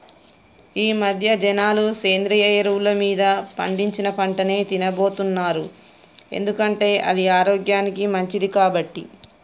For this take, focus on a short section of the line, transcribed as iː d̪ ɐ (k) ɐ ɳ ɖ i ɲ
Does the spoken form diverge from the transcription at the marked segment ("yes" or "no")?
yes